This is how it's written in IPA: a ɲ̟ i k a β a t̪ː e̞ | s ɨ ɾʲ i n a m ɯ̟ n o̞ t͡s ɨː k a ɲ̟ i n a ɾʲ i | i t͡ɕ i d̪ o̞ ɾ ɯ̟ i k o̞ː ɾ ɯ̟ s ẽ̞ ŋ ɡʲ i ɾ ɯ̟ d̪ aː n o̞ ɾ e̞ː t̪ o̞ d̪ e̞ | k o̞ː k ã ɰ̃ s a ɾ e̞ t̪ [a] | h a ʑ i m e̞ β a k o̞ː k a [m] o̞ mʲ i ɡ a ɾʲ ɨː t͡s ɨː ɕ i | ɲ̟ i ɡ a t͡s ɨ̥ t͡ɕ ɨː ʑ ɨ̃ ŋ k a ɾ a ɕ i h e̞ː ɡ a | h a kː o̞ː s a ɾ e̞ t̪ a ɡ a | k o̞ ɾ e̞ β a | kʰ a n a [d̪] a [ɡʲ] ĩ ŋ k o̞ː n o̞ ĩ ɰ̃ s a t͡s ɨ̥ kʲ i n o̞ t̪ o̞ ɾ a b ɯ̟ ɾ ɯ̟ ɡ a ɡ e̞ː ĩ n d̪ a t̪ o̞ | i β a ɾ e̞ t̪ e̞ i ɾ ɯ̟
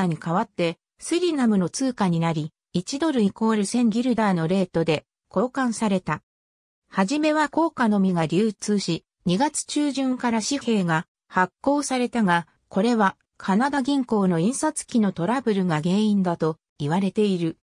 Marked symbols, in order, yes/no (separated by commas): yes, no, yes, yes